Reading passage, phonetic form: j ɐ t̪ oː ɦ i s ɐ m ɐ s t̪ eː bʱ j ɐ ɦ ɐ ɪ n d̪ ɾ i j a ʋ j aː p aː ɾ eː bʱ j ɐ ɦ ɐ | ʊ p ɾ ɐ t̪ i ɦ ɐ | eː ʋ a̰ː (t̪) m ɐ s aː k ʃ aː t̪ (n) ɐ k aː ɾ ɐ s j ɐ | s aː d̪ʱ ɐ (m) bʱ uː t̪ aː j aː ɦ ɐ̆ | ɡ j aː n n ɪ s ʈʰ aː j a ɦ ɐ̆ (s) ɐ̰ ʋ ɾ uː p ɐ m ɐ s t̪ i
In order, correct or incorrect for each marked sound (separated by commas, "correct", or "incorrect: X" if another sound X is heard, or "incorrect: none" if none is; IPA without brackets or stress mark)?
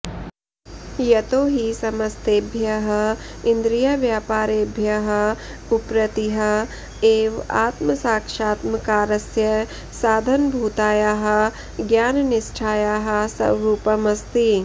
correct, incorrect: m, incorrect: n, correct